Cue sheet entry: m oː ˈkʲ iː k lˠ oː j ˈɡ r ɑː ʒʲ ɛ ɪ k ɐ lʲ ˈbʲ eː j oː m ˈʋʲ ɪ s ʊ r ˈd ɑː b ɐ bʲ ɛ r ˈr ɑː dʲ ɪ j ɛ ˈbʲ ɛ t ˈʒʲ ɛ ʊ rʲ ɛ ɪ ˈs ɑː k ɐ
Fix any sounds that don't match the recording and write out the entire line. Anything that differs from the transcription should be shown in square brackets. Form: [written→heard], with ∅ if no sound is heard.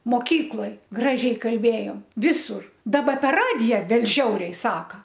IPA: m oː ˈkʲ iː k lˠ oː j ˈɡ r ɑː ʒʲ ɛ ɪ k ɐ lʲ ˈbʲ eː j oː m ˈʋʲ ɪ s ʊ r ˈd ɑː b ɐ [bʲ→pʲ] ɛ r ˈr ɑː dʲ ɪ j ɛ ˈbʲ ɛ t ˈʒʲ ɛ ʊ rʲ ɛ ɪ ˈs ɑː k ɐ